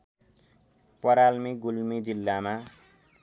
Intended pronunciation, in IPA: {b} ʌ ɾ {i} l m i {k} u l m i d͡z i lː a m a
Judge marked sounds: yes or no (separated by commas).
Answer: no, no, no